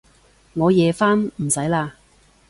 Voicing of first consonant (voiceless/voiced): voiced